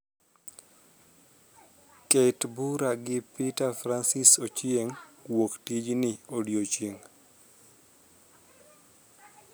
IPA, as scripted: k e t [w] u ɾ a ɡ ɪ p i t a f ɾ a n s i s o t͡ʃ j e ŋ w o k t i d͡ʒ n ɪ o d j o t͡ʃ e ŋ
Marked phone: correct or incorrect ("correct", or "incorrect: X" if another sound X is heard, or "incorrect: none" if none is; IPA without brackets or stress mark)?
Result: incorrect: b